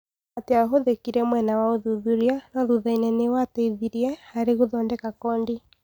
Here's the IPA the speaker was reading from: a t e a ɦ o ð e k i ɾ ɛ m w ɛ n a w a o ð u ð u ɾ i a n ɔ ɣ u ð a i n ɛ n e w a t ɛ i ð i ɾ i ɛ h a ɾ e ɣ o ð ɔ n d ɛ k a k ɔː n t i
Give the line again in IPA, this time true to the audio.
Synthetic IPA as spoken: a t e a ɦ o ð e k i ɾ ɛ m w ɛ n a w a o ð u ð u ɾ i a n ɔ ð u ð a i n ɛ n e w a t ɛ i ð i ɾ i ɛ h a ɾ e ɣ o ð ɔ n d ɛ k a k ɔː n d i